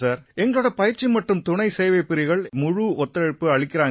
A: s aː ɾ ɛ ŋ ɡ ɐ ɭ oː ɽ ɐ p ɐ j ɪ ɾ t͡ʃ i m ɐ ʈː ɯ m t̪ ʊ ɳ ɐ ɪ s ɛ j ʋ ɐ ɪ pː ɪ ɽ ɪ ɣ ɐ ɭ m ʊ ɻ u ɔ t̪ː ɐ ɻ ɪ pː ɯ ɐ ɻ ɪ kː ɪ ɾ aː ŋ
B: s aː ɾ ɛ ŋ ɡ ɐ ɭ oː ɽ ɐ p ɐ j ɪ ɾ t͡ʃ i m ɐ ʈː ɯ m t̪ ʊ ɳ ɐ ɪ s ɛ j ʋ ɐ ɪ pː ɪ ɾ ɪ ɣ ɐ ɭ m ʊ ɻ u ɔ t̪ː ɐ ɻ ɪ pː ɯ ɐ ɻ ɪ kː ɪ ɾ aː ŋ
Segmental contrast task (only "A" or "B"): B